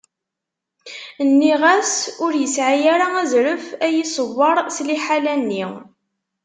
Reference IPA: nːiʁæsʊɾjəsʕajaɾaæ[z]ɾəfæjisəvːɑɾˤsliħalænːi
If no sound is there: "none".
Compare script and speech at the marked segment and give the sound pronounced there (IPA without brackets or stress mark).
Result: z